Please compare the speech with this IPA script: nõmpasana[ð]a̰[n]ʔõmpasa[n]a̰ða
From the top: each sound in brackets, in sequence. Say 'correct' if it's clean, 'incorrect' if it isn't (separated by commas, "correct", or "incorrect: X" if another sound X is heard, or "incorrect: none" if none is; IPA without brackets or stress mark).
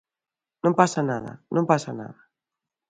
correct, correct, correct